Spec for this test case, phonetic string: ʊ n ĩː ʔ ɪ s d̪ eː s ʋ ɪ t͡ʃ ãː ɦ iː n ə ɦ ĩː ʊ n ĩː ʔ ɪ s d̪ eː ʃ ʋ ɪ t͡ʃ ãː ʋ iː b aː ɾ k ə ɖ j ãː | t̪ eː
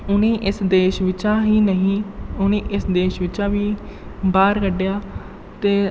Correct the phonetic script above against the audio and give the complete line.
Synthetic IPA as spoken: ʊ n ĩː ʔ ɪ s d̪ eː ʃ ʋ ɪ t͡ʃ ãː ɦ iː n ə ɦ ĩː ʊ n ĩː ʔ ɪ s d̪ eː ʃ ʋ ɪ t͡ʃ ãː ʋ iː b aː ɾ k ə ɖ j aː | t̪ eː